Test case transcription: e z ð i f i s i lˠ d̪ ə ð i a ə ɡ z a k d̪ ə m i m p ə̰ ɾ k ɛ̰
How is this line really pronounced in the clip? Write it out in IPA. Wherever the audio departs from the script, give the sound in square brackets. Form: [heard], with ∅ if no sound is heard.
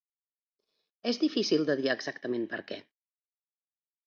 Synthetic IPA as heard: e z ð i f i s i lˠ d̪ ə ð i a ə ɡ z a k [t̪] ə m [e] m p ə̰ ɾ k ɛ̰